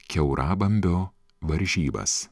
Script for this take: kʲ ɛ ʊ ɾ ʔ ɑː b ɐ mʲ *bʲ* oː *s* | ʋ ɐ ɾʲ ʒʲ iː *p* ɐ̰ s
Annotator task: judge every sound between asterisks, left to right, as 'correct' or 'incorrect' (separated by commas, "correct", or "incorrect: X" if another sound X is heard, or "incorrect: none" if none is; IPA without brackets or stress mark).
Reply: correct, incorrect: none, incorrect: b